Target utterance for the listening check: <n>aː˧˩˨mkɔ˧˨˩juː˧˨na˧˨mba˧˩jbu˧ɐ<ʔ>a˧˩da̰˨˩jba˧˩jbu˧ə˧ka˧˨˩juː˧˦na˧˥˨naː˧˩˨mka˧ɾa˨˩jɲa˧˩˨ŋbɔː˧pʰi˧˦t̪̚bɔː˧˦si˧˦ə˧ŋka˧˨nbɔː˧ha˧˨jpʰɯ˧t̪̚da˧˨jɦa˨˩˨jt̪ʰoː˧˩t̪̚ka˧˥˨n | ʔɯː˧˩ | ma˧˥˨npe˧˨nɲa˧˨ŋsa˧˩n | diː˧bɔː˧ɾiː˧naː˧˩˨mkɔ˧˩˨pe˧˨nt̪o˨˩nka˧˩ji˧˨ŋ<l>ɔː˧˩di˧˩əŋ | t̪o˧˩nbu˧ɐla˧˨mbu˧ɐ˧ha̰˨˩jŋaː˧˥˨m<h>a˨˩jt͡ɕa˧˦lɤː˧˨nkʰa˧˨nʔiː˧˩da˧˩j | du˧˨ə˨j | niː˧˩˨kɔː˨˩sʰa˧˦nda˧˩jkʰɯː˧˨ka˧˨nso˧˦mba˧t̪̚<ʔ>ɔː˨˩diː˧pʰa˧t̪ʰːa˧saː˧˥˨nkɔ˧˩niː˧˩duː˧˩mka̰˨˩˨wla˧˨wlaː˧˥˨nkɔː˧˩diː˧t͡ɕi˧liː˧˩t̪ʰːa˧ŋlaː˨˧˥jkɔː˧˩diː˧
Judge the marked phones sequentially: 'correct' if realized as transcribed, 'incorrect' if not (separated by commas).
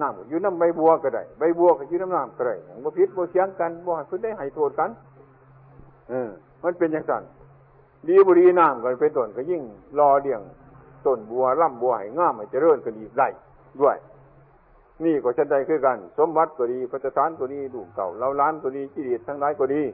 correct, incorrect, correct, correct, incorrect